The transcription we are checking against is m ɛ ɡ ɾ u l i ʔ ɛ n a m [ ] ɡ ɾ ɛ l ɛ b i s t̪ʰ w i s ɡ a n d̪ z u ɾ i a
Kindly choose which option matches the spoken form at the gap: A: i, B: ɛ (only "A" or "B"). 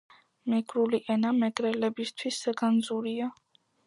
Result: B